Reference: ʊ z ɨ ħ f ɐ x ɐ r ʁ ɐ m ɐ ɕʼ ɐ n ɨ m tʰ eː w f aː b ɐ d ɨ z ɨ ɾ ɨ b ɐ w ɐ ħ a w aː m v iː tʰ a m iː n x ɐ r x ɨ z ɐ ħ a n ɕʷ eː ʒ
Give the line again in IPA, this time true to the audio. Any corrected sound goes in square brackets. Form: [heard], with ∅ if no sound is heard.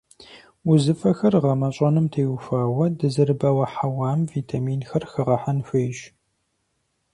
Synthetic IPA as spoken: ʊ z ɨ [∅] f ɐ x ɐ r ʁ ɐ m ɐ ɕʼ ɐ n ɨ m tʰ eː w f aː [w] ɐ d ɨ z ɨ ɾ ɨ b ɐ w ɐ ħ a w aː m v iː tʰ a m iː n x ɐ r x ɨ [ʁ] ɐ ħ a n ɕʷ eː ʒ

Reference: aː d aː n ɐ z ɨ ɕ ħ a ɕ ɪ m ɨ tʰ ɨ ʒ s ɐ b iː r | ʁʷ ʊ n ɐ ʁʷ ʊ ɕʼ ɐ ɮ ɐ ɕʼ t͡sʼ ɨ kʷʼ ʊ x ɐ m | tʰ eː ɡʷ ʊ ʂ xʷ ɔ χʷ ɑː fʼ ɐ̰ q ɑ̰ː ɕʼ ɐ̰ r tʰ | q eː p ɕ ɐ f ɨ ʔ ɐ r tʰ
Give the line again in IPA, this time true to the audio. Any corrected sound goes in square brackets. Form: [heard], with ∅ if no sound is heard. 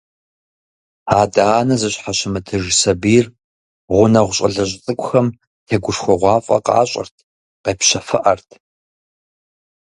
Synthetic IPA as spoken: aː d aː n ɐ z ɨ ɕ ħ a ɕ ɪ m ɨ tʰ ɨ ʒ s ɐ b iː r | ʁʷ ʊ n ɐ ʁʷ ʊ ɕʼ ɐ ɮ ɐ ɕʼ t͡sʼ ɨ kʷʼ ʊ x ɐ m | tʰ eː ɡʷ ʊ ʂ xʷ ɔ [ʁʷ] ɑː fʼ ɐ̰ q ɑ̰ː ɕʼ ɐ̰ r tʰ | q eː p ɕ ɐ f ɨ ʔ ɐ r tʰ

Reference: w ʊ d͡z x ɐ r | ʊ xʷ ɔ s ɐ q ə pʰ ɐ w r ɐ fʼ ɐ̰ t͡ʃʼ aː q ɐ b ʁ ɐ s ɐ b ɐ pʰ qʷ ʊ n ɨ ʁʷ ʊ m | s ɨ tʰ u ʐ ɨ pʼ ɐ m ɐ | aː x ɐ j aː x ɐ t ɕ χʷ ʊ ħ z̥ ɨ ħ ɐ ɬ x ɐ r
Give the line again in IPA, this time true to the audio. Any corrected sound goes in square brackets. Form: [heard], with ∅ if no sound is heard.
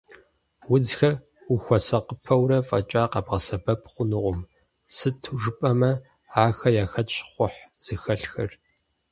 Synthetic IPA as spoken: w ʊ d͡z x ɐ r | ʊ xʷ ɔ s ɐ q ə pʰ ɐ w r ɐ fʼ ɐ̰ t͡ʃʼ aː q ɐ b ʁ ɐ s ɐ b ɐ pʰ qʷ ʊ n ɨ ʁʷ ʊ m | s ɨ tʰ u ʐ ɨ pʼ ɐ m ɐ | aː x ɐ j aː x ɐ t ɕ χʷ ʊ ħ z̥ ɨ [x] ɐ ɬ x ɐ r

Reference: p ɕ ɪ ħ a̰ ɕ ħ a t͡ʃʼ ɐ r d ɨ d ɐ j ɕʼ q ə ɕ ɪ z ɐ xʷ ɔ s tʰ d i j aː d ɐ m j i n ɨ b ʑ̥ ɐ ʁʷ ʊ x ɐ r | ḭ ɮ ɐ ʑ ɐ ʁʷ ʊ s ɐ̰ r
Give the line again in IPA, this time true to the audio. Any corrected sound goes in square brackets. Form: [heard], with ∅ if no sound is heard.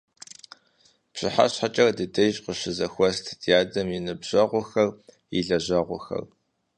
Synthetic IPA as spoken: p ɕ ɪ ħ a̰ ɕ ħ a t͡ʃʼ ɐ r d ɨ d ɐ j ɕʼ q ə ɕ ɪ z ɐ xʷ ɔ s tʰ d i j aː d ɐ m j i n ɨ b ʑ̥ ɐ ʁʷ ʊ x ɐ r | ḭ ɮ ɐ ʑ ɐ ʁʷ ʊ [x] ɐ̰ r

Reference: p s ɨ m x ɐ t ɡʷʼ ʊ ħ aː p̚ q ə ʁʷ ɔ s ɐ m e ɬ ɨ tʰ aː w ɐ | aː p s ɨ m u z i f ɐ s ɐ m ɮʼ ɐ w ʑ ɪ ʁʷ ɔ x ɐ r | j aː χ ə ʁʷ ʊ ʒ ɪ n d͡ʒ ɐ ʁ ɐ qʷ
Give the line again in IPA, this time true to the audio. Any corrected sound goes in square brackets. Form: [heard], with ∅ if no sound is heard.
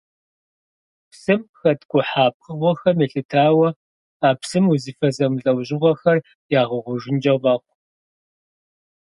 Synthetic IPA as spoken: p s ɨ m x ɐ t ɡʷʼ ʊ ħ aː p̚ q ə ʁʷ ɔ [x] ɐ m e ɬ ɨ tʰ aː w ɐ | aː p s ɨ m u z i f ɐ [z] ɐ m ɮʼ ɐ w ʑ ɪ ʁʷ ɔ x ɐ r | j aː [ʁ] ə ʁʷ ʊ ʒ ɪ n d͡ʒ ɐ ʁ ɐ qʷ

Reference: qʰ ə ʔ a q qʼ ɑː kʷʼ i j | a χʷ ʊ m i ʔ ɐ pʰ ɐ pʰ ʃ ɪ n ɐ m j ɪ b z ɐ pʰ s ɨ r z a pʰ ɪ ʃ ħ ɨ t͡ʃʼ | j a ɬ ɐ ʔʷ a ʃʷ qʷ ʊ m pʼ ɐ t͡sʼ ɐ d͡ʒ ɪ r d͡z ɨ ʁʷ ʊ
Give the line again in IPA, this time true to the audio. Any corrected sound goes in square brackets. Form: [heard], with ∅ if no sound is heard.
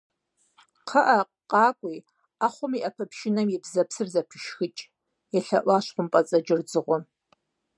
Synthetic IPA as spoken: qʰ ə ʔ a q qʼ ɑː kʷʼ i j | a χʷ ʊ m i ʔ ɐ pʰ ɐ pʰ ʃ ɪ n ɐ m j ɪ b z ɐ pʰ s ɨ r z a pʰ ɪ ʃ [x] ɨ t͡ʃʼ | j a ɬ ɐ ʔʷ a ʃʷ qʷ ʊ m pʼ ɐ t͡sʼ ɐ d͡ʒ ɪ r d͡z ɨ ʁʷ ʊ

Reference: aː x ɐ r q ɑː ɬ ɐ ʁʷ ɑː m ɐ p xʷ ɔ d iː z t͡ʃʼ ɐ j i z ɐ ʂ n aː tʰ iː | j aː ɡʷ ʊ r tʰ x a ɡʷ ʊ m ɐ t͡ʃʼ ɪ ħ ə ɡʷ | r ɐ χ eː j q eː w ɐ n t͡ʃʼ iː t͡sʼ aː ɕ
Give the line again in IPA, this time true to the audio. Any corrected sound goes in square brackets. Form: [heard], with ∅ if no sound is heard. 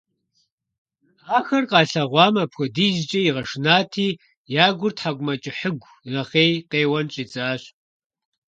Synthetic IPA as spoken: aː x ɐ r q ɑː ɬ ɐ ʁʷ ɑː m ɐ p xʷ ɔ d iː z t͡ʃʼ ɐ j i [ʁ] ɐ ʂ n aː tʰ iː | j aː ɡʷ ʊ r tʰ [ħ] a ɡʷ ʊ m ɐ t͡ʃʼ ɪ ħ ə ɡʷ | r ɐ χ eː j q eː w ɐ n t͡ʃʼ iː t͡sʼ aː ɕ

